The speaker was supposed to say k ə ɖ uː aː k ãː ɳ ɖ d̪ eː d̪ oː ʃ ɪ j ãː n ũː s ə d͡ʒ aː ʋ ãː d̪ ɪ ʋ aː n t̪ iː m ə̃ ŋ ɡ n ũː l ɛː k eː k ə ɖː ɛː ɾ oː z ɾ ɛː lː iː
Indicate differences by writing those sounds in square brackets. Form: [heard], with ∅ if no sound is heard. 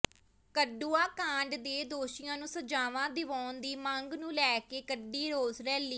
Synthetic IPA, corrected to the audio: k ə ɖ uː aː k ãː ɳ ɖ d̪ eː d̪ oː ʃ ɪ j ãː n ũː s ə d͡ʒ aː ʋ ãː d̪ ɪ ʋ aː n [d̪] iː m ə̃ ŋ ɡ n ũː l ɛː k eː k ə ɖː [iː] ɾ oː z ɾ ɛː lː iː